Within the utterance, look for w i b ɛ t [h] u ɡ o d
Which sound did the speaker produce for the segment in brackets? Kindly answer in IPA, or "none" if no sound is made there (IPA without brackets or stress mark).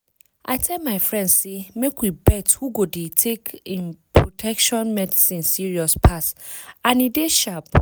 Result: h